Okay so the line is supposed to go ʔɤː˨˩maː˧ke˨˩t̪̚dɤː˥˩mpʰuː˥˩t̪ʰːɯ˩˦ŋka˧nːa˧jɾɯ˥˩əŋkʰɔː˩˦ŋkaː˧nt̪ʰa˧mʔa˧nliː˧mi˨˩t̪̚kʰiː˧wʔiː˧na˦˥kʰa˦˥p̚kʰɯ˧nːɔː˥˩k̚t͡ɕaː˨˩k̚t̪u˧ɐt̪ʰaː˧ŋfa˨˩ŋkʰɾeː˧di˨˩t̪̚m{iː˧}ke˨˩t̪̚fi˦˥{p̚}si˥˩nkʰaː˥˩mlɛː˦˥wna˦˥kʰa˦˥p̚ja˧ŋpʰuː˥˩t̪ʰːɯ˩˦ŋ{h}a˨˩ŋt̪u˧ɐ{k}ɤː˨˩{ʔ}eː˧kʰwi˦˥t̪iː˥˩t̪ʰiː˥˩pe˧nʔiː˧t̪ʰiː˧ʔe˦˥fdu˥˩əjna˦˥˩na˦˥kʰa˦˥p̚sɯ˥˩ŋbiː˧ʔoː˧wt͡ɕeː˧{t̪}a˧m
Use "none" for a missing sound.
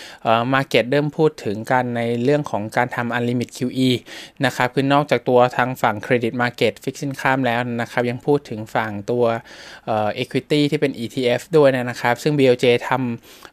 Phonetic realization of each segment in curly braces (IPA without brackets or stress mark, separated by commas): aː˧, k̚, f, ʔ, ʔ, t̪ʰ